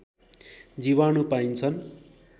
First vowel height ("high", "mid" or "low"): high